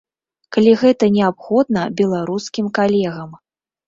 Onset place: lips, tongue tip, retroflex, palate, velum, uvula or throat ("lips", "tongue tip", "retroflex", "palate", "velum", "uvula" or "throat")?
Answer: velum